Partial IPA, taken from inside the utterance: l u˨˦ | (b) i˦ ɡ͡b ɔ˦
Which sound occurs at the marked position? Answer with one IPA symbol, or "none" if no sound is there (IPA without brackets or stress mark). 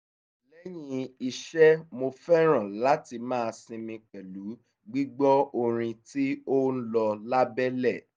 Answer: ɡ͡b